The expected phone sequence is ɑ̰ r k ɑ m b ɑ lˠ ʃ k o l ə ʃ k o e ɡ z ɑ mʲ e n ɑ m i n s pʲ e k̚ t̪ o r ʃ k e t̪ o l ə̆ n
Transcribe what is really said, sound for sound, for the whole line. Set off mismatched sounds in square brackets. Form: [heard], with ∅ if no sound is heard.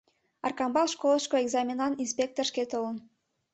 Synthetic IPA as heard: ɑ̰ r k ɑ m b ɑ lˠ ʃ k o l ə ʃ k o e ɡ z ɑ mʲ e n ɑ [n] i n s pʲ e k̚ t̪ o r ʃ k e t̪ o l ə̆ n